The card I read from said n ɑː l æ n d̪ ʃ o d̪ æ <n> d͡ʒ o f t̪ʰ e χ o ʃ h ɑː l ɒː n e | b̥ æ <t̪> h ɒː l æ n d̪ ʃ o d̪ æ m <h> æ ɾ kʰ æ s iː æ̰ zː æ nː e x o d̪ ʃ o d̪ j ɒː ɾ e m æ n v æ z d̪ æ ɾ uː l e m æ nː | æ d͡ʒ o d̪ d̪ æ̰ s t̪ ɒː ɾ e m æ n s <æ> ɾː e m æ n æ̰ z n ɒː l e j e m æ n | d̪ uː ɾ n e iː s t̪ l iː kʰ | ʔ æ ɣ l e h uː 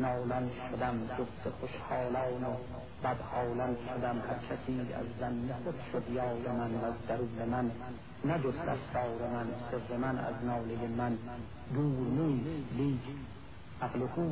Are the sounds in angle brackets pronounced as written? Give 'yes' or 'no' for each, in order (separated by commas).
no, no, yes, no